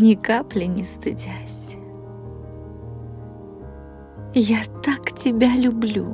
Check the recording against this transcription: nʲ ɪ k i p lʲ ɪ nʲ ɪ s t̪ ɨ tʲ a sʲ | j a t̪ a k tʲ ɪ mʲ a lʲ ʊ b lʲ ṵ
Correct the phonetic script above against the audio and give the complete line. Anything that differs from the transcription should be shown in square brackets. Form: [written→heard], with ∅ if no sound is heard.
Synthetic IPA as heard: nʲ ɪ k [i→a] p lʲ ɪ nʲ ɪ s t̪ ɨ [tʲ→dʲ] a sʲ | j a t̪ a k tʲ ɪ [mʲ→bʲ] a lʲ ʊ b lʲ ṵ